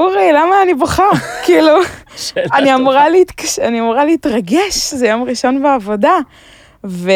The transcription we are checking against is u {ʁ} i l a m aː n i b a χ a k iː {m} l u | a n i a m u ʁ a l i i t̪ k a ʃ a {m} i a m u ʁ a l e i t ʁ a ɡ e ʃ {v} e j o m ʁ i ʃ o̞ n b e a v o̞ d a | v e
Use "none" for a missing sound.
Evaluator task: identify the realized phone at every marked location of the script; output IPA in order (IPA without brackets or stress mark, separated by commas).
ʁ, none, n, z